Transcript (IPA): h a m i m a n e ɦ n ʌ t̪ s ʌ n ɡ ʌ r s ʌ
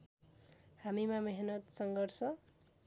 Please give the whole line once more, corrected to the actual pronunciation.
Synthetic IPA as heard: h a m i m a m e ɦ n ʌ t̪ s ʌ ŋ ɡ ʌ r s ʌ